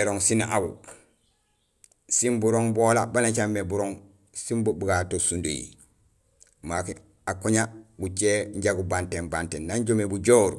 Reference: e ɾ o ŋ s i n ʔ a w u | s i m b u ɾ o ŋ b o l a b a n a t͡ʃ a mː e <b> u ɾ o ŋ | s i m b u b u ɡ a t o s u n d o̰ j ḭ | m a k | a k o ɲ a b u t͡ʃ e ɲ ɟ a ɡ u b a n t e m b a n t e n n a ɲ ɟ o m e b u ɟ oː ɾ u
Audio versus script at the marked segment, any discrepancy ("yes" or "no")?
no